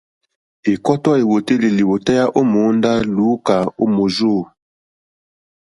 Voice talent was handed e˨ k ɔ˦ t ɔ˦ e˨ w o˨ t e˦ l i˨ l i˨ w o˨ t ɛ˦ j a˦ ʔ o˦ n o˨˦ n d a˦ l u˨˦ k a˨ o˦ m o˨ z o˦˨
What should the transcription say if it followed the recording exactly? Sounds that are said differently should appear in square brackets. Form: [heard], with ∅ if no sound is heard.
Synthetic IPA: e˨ k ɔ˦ t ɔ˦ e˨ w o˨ t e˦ l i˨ l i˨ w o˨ t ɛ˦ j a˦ ʔ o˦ [m] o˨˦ n d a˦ l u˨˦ k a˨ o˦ m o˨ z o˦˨